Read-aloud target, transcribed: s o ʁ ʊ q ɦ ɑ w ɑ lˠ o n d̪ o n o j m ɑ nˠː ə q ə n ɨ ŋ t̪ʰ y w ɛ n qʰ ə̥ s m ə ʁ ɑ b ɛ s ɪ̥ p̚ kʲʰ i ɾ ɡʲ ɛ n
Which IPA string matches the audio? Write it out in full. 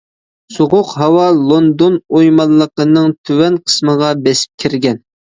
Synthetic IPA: s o ʁ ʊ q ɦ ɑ w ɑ lˠ o n d̪ o n o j m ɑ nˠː ə q ə n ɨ ŋ t̪ʰ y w ɛ n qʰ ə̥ s m ə ʁ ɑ b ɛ s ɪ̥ p̚ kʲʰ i ɾ ɡʲ ɛ n